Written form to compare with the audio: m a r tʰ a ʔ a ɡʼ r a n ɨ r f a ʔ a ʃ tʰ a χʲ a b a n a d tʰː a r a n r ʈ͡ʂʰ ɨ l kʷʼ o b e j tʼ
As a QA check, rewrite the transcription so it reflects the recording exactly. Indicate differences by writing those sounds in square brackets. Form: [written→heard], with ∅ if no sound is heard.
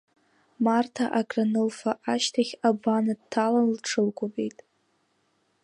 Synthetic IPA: m a r tʰ a ʔ a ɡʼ r a n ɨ [r→l] f a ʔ a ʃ tʰ a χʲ a b a n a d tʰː a [r→l] a n [r→l] ʈ͡ʂʰ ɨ l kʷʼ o b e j tʼ